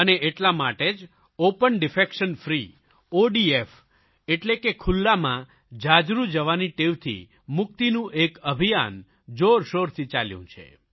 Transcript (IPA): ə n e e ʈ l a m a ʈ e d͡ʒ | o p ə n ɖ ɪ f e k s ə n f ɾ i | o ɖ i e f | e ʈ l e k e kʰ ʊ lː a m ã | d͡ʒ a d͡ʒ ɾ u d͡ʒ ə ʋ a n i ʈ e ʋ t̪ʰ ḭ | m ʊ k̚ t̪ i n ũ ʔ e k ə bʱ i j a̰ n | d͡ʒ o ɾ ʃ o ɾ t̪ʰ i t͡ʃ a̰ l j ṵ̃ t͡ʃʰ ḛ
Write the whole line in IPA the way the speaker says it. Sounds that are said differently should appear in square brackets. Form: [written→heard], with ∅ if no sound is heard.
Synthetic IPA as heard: ə n e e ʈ l a m a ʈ e d͡ʒ | o p ə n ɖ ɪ f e k [s→ʃ] ə n f ɾ i | o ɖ i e f | e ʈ l e k e kʰ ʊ lː a m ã | d͡ʒ a d͡ʒ ɾ u d͡ʒ ə ʋ a n i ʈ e ʋ t̪ʰ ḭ | m ʊ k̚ t̪ i n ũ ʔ e k ə bʱ i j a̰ n | d͡ʒ o ɾ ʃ o ɾ t̪ʰ i t͡ʃ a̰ l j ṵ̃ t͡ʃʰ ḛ